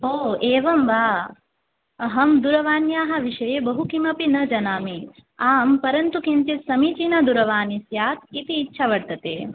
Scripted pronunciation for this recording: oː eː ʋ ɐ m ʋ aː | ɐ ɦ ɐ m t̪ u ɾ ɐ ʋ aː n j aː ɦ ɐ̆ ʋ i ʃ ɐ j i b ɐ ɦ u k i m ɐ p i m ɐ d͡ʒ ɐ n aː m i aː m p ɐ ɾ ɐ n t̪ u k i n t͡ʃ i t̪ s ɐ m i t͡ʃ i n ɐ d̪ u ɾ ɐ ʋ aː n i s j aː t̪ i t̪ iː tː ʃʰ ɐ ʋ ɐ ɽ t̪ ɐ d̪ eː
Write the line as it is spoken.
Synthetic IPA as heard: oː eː ʋ ɐ m ʋ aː | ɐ ɦ ɐ m d̪ u ɾ ɐ ʋ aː n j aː ɦ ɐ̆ ʋ i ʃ ɐ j e b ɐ ɦ u k i m ɐ p i n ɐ d͡ʒ ɐ n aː m i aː m p ɐ ɾ ɐ n t̪ u k i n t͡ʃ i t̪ s ɐ m i t͡ʃ i n ɐ d̪ u ɾ ɐ ʋ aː n i s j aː t̪ i t̪ iː tː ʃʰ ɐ ʋ ɐ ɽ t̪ ɐ t̪ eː